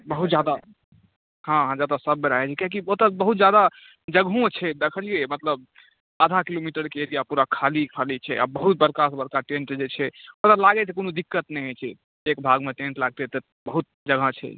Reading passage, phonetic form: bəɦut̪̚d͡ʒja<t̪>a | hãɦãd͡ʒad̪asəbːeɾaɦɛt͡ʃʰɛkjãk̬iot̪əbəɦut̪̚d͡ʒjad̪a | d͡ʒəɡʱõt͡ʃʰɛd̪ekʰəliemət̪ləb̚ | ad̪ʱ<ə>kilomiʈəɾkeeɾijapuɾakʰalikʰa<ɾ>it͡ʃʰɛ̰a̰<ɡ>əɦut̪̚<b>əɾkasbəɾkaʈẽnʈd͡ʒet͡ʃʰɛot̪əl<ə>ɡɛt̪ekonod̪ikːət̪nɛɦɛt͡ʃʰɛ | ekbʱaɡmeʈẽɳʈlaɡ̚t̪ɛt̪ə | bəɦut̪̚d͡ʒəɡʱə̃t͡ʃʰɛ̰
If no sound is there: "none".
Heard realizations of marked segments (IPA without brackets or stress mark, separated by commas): d̪, a, l, b, b, a